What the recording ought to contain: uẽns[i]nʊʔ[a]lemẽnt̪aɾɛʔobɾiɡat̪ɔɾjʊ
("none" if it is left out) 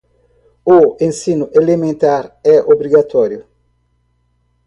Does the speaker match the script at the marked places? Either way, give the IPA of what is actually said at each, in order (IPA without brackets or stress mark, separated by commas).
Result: i, e